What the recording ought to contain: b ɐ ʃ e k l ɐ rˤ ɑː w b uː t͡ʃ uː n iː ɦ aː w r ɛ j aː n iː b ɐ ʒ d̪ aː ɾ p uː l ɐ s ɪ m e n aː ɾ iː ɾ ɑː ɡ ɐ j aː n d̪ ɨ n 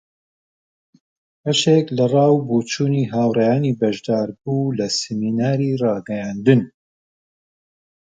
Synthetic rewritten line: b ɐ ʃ e k l ɐ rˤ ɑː w b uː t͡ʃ uː n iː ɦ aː w r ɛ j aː n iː b ɐ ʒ d̪ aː ɾ b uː l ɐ s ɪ m i n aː ɾ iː r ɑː ɡ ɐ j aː n d̪ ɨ n

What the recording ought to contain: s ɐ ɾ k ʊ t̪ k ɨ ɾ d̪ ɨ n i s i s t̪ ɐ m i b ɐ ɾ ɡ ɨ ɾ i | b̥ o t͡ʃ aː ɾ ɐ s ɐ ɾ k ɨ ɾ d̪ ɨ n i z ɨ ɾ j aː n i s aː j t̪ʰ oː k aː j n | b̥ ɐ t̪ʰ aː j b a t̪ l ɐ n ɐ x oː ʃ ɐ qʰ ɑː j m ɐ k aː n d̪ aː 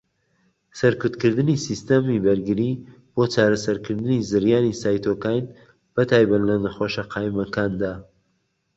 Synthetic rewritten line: s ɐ ɾ k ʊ t̪ k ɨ ɾ d̪ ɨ n i s i s t̪ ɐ m i b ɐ ɾ ɡ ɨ ɾ i | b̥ o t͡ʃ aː ɾ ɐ s ɐ ɾ k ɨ ɾ d̪ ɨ n i z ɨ ɾ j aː n i s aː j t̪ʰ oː k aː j n | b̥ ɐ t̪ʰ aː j b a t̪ l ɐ n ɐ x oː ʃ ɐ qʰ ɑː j m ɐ k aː n d̪ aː

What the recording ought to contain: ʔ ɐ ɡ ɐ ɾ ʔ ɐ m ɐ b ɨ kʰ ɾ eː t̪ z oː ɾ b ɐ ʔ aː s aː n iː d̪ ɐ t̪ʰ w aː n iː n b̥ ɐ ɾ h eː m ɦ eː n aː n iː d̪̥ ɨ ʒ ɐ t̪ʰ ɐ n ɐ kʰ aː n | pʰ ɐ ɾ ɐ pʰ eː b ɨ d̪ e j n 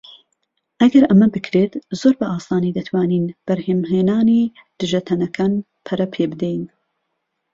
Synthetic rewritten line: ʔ ɐ ɡ ɐ ɾ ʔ ɐ m ɐ b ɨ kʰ ɾ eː t̪ z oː ɾ b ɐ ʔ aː s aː n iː d̪ ɐ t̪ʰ w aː n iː n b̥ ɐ ɾ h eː m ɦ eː n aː n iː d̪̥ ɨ ʒ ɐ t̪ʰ ɐ n ɐ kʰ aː n | pʰ ɐ ɾ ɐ pʰ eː b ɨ d̪ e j n

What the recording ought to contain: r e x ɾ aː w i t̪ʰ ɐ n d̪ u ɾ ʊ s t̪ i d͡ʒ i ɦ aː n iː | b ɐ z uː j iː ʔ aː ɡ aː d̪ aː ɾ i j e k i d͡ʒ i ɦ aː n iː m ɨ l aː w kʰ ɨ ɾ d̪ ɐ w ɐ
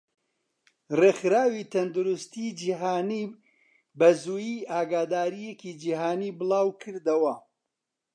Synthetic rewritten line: r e x ɾ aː w i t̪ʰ ɐ n d̪ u ɾ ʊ s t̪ i d͡ʒ i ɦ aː n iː | b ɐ z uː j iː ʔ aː ɡ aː d̪ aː ɾ i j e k i d͡ʒ i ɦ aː n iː b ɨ l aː w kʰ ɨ ɾ d̪ ɐ w ɐ

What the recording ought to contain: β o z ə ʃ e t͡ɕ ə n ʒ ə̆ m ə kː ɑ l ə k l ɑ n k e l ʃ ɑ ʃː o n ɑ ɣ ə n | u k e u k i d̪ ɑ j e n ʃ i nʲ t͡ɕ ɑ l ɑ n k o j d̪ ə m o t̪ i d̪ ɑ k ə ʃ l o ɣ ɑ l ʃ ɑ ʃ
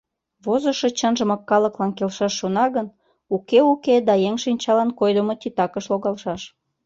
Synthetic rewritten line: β o z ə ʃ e t͡ɕ ə n ʒ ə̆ m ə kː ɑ l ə k l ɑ n k e l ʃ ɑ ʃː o n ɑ ɣ ə n | u k e u k e d̪ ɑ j e ŋ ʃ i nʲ t͡ɕ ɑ l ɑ n k o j d̪ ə m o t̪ i t̪ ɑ k ə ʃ l o ɣ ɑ l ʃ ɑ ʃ

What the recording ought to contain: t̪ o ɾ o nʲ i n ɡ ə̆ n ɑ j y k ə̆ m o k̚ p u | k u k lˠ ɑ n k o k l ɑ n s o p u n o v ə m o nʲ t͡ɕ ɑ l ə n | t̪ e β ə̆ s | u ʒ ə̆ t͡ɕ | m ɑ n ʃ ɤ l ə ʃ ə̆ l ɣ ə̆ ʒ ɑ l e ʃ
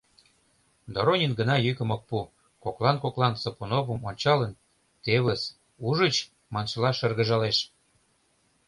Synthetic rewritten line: d̪ o ɾ o nʲ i n ɡ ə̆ n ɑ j y k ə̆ m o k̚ p u | k o k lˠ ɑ n k o k l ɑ n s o p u n o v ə m o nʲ t͡ɕ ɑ l ə n | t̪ e β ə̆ s | u ʒ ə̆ t͡ɕ | m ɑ n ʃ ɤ l ɑ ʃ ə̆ r ɣ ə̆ ʒ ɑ l e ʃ

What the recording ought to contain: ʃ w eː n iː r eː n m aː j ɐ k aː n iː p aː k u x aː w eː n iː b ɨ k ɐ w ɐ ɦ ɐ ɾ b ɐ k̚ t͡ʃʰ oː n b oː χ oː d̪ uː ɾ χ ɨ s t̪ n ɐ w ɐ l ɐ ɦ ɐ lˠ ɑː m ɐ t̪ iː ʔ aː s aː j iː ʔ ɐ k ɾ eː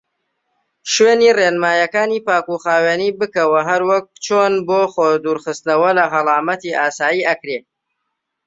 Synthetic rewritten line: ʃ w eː n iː r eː n m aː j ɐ k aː n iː p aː k u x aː w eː n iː b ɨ k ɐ w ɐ ɦ ɐ ɾ w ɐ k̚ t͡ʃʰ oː n b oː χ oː d̪ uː ɾ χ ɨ s t̪ n ɐ w ɐ l ɐ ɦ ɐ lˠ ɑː m ɐ t̪ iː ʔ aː s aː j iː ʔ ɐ k ɾ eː

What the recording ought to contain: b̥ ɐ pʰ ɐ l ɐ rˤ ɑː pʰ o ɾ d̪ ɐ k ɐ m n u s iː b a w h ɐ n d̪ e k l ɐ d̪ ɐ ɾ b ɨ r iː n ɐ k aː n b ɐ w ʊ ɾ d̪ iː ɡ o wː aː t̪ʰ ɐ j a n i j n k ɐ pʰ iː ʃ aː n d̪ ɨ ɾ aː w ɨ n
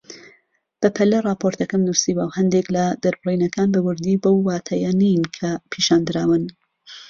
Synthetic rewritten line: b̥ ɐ pʰ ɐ l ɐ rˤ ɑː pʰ o ɾ t̪ ɐ k ɐ m n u s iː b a w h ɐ n d̪ e k l ɐ d̪ ɐ ɾ b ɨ r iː n ɐ k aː n b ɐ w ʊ ɾ d̪ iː b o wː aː t̪ʰ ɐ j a n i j n kʰ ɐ pʰ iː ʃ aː n d̪ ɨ ɾ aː w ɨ n

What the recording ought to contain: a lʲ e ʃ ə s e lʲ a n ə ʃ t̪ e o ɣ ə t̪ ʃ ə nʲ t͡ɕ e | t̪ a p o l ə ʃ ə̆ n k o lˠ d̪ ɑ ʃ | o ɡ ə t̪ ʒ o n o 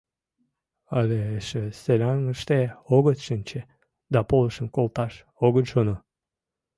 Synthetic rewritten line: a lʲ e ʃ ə s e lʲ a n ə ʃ t̪ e o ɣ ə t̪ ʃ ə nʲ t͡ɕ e | d̪ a p o l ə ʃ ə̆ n k o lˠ t̪ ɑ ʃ | o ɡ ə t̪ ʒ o n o

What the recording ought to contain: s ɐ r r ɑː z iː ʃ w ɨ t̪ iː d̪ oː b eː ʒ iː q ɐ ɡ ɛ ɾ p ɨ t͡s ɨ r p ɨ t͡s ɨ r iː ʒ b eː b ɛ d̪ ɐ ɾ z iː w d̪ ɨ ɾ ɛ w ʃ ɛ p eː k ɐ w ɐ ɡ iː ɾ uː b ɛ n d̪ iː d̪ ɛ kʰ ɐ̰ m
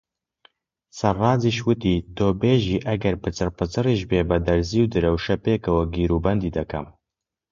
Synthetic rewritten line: s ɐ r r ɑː z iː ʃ w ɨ t̪ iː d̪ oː b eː ʒ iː ʔ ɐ ɡ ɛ ɾ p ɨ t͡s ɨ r p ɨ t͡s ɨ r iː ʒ b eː b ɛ d̪ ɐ ɾ z iː w d̪ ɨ ɾ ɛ w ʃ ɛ p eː k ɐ w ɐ ɡ iː ɾ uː b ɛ n d̪ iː d̪ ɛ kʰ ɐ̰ m

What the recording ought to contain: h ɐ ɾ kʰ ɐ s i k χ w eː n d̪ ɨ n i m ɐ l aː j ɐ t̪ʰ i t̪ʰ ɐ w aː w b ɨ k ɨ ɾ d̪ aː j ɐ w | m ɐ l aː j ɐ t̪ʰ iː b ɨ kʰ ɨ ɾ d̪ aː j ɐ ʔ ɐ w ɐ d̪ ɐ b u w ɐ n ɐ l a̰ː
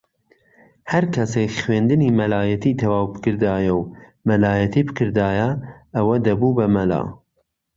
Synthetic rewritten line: h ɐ ɾ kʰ ɐ s e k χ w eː n d̪ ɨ n i m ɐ l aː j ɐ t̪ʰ i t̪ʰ ɐ w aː w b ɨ k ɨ ɾ d̪ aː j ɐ w | m ɐ l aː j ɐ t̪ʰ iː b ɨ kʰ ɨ ɾ d̪ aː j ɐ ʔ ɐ w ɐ d̪ ɐ b u b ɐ m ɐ l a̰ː

